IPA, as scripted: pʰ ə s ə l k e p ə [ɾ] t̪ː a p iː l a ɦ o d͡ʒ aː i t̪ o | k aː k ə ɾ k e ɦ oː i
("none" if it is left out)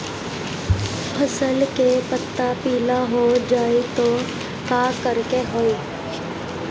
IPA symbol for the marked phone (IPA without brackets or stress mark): none